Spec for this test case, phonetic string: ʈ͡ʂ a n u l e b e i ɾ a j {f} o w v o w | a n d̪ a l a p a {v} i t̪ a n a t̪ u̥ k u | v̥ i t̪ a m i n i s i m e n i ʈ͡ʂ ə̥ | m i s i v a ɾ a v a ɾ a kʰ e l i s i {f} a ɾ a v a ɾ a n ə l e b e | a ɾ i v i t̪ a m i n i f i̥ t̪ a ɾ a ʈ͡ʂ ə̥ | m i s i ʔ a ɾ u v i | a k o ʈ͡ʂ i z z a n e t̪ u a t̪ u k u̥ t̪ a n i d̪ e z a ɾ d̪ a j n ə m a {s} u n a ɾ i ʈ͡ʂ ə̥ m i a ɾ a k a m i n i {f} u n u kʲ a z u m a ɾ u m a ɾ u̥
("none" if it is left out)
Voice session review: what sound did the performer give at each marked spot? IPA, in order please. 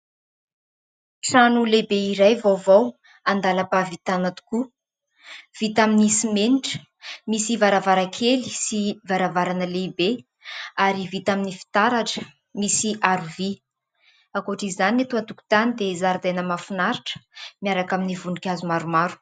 v, v, v, f, v

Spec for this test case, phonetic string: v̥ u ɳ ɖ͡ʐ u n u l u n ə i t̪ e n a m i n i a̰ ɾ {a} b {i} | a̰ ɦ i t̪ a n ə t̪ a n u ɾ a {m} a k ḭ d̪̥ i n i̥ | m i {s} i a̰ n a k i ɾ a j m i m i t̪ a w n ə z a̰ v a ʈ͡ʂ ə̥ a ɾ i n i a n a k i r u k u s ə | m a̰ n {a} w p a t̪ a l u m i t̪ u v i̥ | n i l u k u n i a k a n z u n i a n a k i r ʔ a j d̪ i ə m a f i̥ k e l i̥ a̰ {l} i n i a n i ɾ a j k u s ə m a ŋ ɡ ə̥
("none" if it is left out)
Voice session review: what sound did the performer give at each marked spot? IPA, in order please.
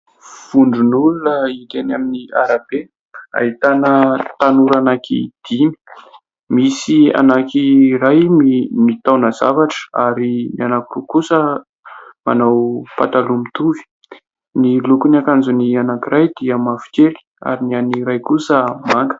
a, e, n, s, a, ɾ

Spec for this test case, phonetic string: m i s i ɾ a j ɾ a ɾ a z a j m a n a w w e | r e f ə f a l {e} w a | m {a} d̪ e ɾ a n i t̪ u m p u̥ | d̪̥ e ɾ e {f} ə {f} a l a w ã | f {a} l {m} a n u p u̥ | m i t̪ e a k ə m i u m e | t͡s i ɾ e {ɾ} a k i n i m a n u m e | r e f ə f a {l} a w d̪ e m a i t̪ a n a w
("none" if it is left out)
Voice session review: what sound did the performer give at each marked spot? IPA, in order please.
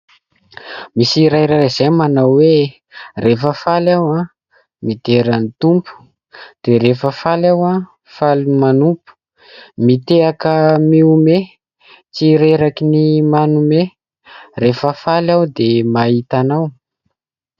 a, i, f, f, a, m, ɾ, l

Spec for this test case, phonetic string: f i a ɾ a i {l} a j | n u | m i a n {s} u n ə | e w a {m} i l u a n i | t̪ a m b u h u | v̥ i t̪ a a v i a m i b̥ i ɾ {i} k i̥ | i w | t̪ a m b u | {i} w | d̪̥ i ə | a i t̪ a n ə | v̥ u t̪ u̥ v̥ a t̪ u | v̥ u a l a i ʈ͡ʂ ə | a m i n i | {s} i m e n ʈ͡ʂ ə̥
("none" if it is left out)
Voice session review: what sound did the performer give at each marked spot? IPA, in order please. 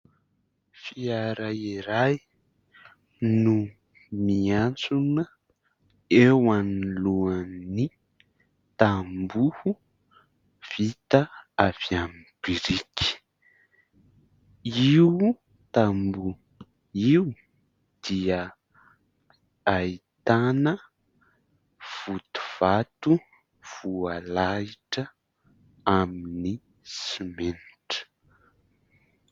ɾ, t͡s, n, i, i, s

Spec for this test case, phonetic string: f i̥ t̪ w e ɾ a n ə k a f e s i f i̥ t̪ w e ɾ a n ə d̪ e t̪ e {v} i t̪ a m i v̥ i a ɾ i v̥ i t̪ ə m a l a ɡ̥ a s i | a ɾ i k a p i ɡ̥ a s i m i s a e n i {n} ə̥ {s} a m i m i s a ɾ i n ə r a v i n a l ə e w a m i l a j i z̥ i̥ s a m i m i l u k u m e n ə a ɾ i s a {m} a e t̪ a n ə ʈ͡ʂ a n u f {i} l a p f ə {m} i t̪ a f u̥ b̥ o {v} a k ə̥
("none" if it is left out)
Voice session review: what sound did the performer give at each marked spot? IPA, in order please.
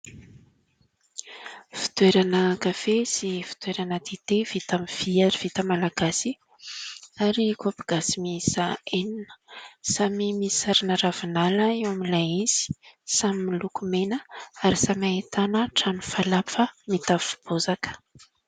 v, n, s, m, a, m, z

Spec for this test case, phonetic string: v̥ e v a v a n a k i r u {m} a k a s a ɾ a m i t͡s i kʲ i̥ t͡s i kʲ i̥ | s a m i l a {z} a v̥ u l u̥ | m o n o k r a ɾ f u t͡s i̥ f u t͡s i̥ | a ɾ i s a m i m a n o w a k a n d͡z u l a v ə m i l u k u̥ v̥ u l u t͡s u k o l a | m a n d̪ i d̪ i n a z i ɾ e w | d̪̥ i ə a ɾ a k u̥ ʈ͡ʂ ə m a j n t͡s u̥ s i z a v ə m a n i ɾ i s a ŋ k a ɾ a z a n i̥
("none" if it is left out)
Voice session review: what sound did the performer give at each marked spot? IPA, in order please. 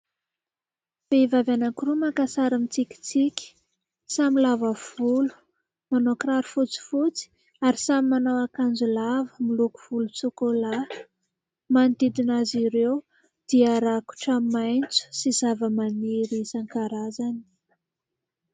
m, v

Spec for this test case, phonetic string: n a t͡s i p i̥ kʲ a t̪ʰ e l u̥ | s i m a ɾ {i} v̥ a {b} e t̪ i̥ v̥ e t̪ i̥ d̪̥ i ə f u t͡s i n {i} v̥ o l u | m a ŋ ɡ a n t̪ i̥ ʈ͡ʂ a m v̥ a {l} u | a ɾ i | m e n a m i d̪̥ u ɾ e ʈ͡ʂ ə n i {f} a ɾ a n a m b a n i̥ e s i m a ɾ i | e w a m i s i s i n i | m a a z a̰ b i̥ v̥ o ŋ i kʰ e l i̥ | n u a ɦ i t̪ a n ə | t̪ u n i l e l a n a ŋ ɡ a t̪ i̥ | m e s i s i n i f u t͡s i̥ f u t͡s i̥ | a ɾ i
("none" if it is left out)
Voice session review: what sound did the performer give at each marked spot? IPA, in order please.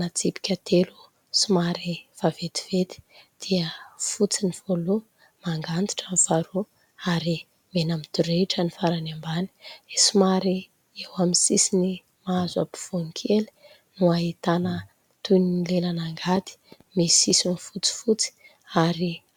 i, v, i, ɾ, f

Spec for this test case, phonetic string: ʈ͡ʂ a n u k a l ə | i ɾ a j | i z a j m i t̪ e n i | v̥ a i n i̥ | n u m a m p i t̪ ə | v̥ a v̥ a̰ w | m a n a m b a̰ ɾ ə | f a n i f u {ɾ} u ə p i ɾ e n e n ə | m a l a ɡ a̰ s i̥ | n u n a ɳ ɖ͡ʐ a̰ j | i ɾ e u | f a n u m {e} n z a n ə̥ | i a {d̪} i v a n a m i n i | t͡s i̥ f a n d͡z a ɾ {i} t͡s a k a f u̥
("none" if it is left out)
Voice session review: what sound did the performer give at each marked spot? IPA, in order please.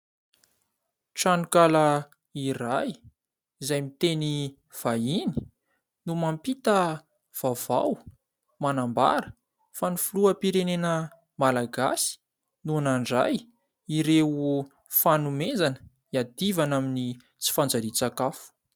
l, e, d̪, i

